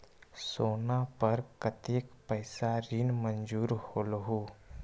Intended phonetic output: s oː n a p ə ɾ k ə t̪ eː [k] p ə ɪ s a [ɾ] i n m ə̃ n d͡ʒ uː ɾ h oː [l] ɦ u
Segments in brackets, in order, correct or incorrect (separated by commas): correct, correct, correct